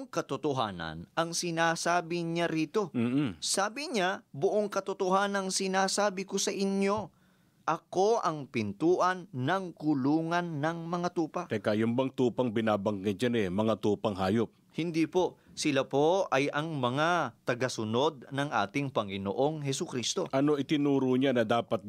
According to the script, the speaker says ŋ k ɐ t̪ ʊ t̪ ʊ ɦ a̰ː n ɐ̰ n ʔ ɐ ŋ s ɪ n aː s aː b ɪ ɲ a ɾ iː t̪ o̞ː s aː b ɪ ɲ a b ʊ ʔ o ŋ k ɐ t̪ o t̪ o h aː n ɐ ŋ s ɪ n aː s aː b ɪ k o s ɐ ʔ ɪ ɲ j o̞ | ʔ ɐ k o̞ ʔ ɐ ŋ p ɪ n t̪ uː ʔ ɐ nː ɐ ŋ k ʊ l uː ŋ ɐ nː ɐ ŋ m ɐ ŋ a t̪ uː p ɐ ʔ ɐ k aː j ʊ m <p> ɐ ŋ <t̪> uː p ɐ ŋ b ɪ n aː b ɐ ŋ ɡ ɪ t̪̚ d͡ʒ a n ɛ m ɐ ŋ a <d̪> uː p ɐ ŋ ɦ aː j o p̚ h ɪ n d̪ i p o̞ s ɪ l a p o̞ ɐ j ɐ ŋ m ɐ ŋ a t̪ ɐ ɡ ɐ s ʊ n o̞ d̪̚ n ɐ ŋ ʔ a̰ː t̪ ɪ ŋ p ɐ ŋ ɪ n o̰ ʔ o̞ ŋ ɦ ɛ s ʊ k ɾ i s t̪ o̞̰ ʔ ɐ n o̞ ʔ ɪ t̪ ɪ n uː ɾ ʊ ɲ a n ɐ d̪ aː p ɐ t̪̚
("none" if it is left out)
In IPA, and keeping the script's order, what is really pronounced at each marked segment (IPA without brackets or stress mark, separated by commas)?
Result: b, t̪, t̪